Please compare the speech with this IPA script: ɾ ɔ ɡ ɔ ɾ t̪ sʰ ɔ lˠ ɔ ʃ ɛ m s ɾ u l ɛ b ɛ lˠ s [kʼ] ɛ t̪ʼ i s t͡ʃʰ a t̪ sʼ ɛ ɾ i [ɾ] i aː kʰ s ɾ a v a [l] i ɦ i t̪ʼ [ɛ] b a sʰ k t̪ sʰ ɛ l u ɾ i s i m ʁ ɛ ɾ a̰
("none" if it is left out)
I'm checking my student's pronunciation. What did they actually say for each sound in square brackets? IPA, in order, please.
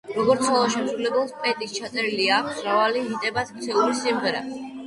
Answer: pʼ, l, l, ɛ

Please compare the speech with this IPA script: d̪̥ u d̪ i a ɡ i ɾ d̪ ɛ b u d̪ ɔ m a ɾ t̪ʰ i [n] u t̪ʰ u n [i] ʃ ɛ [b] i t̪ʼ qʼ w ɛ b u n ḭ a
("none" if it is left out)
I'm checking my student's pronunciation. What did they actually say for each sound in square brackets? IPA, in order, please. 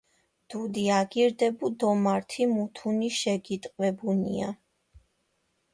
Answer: m, i, ɡ

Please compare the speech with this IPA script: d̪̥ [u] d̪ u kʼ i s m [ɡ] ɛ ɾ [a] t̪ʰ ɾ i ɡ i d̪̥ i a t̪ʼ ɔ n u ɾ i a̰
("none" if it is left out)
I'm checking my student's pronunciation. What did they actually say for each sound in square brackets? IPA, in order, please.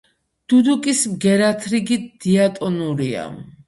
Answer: u, ɡ, a

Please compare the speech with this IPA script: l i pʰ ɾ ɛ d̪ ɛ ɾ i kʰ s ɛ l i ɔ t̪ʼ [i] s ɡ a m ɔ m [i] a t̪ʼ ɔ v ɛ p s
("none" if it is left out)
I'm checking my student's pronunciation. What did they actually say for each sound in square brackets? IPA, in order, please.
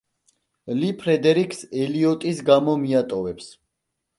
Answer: i, i

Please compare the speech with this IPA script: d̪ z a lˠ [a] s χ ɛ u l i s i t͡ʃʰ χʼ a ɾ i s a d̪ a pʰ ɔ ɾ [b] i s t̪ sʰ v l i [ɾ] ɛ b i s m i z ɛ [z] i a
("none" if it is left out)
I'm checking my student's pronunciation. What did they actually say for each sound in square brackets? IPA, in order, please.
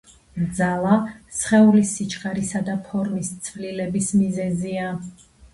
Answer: a, m, l, z

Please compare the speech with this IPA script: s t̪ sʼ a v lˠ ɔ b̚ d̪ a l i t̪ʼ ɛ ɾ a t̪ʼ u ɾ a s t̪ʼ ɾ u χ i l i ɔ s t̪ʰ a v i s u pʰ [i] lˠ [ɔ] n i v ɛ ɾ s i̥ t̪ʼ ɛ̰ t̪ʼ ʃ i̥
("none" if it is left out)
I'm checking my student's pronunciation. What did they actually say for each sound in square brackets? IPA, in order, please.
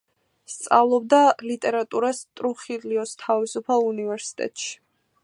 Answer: a, u

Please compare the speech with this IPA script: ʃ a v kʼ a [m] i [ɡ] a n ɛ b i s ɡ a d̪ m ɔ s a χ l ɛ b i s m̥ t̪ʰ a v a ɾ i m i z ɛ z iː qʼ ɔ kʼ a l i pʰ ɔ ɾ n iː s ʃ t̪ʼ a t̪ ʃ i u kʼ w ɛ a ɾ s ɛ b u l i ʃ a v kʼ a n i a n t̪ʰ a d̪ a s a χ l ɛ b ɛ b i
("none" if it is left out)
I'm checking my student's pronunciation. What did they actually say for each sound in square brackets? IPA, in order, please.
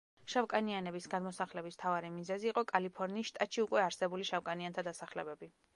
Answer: n, none

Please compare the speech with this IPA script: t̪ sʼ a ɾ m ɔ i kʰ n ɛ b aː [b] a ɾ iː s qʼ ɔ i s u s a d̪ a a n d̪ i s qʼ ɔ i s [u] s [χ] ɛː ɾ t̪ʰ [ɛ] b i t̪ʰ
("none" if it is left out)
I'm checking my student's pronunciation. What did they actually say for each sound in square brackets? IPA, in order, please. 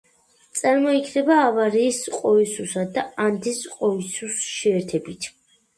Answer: v, u, ʃ, ɛ

